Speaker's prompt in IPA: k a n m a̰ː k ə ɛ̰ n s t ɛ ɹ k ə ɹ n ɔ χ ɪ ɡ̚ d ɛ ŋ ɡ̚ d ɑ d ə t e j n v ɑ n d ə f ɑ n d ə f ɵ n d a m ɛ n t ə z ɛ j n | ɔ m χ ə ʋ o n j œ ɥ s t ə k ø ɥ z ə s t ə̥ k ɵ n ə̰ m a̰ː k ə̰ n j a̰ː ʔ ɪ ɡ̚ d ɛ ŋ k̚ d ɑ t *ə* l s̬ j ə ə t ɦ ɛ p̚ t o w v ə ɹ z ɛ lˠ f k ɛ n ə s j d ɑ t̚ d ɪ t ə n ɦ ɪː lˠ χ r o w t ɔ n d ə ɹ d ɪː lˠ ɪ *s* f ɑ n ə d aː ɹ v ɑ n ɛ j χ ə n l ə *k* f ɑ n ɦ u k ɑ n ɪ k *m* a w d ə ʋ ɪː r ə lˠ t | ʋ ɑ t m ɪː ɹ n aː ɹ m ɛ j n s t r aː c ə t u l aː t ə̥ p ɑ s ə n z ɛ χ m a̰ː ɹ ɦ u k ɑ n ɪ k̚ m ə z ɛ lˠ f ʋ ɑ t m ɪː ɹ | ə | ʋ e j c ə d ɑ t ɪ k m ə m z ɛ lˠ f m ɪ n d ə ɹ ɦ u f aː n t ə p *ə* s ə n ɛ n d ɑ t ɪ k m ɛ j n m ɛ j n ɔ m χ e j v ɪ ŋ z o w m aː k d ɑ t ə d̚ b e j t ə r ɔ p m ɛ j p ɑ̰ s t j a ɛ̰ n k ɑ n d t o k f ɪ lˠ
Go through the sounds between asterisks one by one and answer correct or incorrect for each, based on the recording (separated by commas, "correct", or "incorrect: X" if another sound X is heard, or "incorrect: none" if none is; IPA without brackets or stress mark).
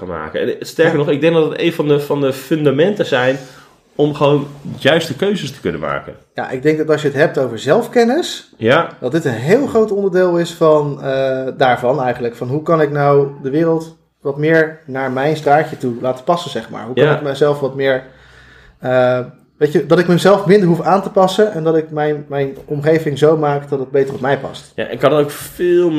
incorrect: ɑ, correct, correct, incorrect: n, incorrect: ɑ